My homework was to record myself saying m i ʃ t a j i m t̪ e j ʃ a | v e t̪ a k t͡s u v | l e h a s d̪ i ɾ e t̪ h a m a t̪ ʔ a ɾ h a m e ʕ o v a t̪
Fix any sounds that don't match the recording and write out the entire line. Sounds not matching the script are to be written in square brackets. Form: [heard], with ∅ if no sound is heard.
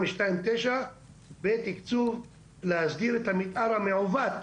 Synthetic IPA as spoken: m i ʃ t a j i m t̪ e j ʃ a | [b] e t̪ [i] k t͡s u v | l e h a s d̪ i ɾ e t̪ h a m [i] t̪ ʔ a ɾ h a m e ʕ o v a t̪

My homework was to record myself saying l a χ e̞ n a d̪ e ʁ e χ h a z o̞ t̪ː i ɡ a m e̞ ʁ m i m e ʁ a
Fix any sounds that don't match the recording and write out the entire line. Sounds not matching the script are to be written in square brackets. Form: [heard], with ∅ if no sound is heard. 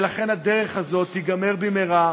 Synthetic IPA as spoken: l a χ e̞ n a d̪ e ʁ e χ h a z o̞ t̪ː i ɡ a m e̞ ʁ [b] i m e ʁ a

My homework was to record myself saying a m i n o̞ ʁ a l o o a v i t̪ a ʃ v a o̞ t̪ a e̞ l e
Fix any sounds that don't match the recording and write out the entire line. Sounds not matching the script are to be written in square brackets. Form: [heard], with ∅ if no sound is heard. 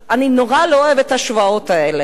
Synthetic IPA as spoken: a [n] i n o̞ ʁ a l o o [e] v [e] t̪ a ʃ v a o̞ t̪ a e̞ l e

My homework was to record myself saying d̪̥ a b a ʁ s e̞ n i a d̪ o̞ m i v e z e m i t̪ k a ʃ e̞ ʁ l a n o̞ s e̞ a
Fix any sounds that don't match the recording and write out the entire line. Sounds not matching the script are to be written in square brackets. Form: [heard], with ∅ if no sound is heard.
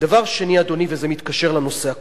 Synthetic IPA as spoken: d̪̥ a [v] a ʁ [ʃ] e̞ n i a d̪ o̞ [n] i v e z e m i t̪ k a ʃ e̞ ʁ l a n o̞ s e̞ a

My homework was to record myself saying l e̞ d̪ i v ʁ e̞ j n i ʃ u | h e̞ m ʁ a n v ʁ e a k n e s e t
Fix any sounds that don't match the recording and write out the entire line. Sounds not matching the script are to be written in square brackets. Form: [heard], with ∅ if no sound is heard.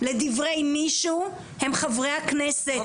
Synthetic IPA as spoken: l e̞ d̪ i v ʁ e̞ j [m] i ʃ u | h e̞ m [χ] a [∅] v ʁ e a k n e s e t

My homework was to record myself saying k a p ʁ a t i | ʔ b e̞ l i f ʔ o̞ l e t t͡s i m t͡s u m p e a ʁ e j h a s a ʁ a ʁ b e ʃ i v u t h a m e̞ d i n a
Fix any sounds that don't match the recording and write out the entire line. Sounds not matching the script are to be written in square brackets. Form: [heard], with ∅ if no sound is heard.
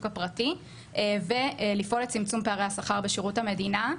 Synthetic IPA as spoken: k a p ʁ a t i | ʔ [v] e̞ l i f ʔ o̞ l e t t͡s i m t͡s u m p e a ʁ e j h a s a [χ] a ʁ b e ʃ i [ʁ] u t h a m e̞ d i n a

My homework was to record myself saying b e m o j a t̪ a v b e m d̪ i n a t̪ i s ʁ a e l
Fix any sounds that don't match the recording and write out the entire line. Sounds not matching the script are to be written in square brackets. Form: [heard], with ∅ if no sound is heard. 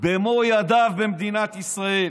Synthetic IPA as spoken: b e m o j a [d̪] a v b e m d̪ i n a t̪ i s ʁ a e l

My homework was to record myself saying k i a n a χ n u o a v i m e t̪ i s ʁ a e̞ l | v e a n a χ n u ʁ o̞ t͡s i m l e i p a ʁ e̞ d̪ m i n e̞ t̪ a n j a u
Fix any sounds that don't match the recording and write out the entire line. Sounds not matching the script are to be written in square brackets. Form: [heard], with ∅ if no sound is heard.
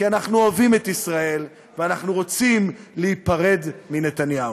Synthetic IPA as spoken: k i a n a χ n u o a v i m e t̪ i s ʁ a e̞ l | v e a n a χ n u ʁ o̞ t͡s i m l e i p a ʁ e̞ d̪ m i n e̞ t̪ a n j a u

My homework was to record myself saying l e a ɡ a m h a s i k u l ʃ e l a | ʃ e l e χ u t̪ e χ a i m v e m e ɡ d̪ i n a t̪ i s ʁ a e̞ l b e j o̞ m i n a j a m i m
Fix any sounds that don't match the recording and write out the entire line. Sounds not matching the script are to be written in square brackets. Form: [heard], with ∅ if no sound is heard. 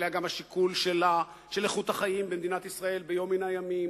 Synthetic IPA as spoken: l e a ɡ a m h a [ʃ] i k u l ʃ e l a | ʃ e l e χ u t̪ [a] χ a i m [b] e m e [∅] d̪ i n a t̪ i s ʁ a e̞ l b e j o̞ m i n a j a m i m

